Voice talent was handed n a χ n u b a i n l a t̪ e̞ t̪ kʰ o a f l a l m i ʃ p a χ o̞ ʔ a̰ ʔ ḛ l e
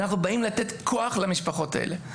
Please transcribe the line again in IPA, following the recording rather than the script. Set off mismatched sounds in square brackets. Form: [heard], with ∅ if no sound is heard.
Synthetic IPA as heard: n a χ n u b a i [m] l a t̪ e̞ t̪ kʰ o a [χ] l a [∅] m i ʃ p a χ o̞ [t] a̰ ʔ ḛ l e